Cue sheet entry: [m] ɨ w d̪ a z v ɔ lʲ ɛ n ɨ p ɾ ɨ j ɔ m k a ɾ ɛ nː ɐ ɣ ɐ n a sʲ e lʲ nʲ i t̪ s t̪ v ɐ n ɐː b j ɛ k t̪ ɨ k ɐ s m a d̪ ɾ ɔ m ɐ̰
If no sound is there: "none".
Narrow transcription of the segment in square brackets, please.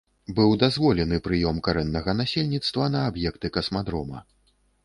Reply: b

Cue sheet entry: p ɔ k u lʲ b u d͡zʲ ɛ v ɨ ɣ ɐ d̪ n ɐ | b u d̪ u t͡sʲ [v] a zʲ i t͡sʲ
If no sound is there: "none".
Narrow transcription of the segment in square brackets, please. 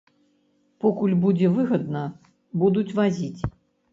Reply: v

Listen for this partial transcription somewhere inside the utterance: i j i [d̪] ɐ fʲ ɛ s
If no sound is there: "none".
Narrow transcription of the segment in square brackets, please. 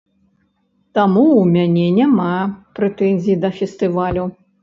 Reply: d̪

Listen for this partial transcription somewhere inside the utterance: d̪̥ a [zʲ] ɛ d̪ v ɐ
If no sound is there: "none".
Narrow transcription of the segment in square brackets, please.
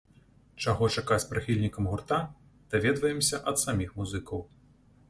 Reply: vʲ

